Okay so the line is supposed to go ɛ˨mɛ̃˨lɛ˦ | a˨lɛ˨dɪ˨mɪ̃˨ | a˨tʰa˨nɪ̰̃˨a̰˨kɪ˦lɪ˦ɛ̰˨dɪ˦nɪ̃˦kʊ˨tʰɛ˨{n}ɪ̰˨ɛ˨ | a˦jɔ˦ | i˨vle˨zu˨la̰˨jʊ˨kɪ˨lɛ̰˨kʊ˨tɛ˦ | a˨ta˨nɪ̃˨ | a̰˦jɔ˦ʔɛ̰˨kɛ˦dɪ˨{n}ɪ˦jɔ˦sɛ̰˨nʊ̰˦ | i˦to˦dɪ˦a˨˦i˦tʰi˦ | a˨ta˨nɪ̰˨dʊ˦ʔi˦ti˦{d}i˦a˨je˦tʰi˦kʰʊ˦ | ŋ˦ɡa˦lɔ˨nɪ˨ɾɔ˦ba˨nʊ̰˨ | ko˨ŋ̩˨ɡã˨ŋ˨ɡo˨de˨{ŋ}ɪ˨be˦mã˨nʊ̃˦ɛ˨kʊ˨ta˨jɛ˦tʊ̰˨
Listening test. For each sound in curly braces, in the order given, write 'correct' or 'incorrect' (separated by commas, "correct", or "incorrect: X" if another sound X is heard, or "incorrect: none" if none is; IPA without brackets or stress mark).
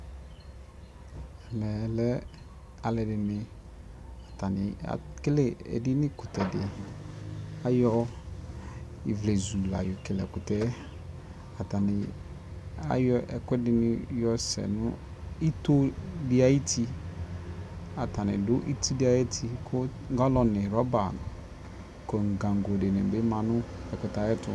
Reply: incorrect: d, correct, correct, incorrect: n